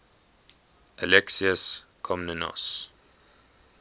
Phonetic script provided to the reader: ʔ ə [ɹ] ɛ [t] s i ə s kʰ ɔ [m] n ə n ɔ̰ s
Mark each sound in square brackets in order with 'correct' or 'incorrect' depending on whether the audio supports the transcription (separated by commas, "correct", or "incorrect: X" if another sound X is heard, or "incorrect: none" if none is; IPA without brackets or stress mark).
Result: incorrect: l, incorrect: k, correct